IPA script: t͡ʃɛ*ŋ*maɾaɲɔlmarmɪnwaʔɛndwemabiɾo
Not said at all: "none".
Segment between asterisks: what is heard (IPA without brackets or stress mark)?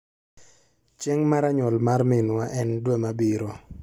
ŋ